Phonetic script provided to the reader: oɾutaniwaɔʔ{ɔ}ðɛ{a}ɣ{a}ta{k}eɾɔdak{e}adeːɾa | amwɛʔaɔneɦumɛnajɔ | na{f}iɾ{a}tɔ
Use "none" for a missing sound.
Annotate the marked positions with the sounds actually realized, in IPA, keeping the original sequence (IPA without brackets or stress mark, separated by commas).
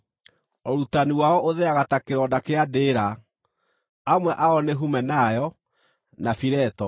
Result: o, a, a, k, e, f, ɛ